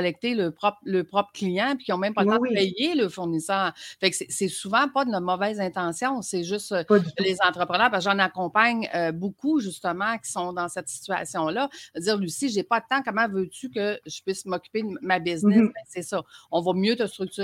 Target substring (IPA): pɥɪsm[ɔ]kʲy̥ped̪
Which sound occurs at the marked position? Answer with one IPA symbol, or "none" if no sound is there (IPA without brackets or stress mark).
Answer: ɔ